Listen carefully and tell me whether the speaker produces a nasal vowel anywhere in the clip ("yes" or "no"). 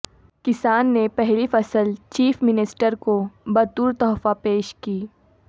no